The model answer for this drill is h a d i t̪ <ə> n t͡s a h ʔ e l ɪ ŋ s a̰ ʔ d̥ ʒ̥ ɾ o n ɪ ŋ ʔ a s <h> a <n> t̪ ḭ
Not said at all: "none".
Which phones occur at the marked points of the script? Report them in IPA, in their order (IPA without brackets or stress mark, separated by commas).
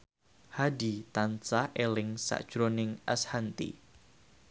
a, h, n